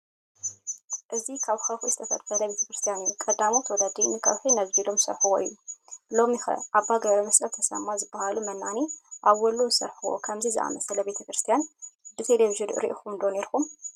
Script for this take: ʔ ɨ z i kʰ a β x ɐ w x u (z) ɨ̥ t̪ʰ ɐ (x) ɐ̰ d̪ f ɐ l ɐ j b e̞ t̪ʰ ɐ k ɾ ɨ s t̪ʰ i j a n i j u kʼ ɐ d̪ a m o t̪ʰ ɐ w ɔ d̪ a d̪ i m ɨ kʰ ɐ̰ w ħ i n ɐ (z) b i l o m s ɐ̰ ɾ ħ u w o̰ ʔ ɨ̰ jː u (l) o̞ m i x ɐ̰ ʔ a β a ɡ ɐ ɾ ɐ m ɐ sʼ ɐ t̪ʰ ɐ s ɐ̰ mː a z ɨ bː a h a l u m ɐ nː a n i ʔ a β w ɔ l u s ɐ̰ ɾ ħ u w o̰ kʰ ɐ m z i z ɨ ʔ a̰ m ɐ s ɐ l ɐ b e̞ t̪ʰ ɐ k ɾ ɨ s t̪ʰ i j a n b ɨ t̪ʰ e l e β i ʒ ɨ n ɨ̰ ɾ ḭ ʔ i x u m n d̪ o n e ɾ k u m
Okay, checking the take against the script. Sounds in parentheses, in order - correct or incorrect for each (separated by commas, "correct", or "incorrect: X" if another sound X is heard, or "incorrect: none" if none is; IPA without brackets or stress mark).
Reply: correct, incorrect: f, correct, correct